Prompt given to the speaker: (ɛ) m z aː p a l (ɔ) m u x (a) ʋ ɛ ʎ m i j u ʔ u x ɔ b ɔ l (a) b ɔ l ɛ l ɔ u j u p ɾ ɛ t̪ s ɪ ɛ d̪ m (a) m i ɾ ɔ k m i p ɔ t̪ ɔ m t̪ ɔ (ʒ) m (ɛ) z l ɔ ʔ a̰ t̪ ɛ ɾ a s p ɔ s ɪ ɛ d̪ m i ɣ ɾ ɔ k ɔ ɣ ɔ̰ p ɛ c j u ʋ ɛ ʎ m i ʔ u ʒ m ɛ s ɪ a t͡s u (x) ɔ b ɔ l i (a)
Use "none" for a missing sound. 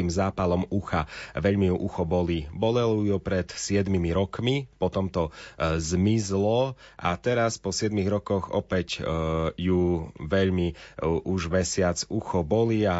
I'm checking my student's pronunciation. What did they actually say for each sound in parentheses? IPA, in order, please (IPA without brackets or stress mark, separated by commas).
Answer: i, ɔ, a, i, i, z, i, x, a